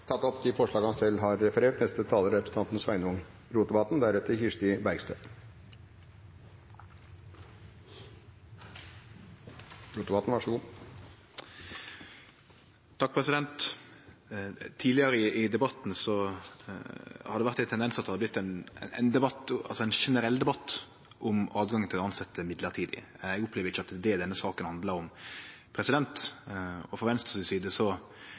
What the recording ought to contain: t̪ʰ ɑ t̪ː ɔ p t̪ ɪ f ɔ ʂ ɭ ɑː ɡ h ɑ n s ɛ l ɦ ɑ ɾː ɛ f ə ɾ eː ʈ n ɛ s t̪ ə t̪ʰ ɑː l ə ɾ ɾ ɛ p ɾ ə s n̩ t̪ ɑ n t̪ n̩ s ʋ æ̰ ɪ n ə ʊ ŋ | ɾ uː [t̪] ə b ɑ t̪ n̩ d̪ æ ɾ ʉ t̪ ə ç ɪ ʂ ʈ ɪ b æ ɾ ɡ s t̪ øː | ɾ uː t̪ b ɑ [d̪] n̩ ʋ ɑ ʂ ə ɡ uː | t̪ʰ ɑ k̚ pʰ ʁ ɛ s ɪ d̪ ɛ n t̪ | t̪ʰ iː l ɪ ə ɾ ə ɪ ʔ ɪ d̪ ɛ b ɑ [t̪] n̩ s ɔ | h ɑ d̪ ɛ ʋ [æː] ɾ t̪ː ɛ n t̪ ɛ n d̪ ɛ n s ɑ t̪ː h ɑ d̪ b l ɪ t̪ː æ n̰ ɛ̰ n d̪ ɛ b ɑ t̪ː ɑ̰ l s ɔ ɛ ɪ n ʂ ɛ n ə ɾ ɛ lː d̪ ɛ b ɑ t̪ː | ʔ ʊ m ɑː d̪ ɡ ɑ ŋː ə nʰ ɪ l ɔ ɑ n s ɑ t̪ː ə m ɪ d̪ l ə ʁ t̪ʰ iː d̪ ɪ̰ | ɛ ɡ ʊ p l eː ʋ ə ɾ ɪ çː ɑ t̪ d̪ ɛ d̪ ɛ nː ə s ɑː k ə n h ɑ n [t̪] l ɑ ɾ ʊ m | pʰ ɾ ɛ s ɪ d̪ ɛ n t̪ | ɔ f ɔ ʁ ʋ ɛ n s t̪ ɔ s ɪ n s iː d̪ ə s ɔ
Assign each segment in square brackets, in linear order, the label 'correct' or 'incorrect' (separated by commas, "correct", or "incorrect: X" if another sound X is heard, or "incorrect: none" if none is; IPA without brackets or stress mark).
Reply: correct, incorrect: t̪, correct, incorrect: æ, incorrect: d̪